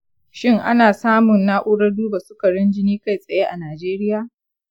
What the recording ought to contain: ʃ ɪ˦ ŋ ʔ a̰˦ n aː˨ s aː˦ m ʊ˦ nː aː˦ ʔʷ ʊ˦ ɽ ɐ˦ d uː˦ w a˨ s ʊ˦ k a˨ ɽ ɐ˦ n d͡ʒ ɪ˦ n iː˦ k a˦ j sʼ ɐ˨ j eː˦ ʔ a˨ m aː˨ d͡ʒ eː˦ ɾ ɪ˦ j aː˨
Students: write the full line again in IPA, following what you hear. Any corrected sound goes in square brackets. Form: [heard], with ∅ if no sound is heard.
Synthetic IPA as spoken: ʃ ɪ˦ ŋ ʔ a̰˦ n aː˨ s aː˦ m [ʊ˨] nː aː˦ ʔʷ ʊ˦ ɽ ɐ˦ d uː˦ [b] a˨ s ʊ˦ k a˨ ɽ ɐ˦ n d͡ʒ ɪ˦ n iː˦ k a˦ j sʼ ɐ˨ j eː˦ ʔ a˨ [n] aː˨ d͡ʒ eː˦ ɾ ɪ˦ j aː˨